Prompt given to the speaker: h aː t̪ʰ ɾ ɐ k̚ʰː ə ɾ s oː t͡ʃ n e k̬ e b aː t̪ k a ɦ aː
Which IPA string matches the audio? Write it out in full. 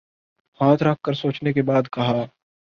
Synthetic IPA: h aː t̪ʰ ɾ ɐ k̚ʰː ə ɾ s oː t͡ʃ n e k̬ e b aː d̪ k ɐ ɦ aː